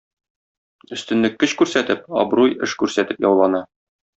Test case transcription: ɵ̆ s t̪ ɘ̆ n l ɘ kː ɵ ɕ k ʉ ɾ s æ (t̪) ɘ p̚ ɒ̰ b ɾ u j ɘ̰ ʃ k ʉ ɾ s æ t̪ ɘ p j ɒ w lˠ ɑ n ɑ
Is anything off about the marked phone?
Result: no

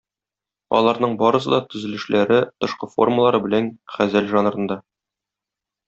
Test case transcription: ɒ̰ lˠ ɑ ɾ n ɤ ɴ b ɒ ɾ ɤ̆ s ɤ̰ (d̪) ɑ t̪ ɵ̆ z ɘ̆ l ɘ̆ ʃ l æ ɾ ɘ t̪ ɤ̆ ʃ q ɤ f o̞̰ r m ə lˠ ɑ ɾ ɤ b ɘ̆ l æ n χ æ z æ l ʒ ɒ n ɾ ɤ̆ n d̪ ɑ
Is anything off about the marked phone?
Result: no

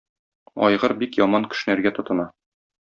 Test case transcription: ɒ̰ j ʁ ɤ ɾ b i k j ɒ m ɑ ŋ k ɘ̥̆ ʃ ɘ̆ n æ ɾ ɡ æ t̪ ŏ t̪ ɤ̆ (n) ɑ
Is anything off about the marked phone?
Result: no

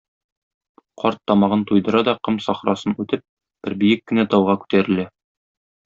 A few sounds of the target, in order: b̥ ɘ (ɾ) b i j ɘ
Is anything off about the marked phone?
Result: no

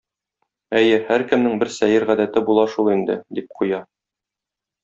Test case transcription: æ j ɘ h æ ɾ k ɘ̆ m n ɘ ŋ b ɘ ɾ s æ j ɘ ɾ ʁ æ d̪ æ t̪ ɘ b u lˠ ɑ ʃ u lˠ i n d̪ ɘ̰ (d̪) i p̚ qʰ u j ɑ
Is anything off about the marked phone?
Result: no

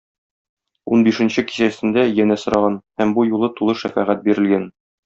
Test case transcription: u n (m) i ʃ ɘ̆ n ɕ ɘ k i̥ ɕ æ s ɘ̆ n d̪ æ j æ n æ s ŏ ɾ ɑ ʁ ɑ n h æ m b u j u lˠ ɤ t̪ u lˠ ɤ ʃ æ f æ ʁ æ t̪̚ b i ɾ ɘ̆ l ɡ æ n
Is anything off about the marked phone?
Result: yes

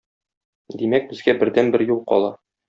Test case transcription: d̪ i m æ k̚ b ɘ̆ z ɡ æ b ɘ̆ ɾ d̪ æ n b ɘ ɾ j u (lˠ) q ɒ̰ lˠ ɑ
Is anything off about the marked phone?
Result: no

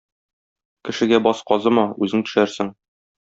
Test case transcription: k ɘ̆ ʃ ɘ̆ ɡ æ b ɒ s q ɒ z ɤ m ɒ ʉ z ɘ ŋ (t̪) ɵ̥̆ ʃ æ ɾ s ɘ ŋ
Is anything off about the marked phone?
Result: no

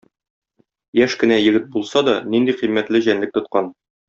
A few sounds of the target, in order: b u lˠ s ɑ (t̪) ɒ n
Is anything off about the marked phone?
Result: yes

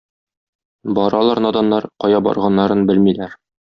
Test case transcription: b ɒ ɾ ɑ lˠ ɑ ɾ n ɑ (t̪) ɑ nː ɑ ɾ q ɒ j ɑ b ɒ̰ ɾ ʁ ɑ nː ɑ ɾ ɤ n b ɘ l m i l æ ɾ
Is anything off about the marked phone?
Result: yes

